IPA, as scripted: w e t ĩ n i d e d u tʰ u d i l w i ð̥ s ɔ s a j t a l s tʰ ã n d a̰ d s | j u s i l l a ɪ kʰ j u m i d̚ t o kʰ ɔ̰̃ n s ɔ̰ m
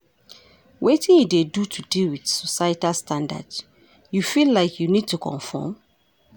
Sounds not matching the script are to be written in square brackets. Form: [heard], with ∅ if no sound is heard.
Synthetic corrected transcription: w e t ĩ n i d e d u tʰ u d i l w i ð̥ s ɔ s a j t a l s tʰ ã n d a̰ d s | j u [f] i l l a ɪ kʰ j u [n] i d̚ t [u] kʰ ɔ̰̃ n [f] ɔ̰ m